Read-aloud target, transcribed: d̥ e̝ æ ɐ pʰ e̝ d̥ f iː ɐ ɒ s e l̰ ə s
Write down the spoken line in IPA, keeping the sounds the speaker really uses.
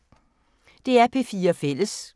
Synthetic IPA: d̥ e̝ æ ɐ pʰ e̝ f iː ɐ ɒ f e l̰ ə s